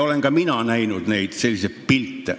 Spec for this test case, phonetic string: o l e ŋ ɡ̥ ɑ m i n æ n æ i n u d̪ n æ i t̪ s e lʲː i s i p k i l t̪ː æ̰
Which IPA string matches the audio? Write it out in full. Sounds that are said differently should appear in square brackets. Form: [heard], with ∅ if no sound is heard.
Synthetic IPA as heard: o l e ŋ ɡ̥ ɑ m i n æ n æ i n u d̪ n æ i t̪ s e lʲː i s [e] p [p] i l t̪ː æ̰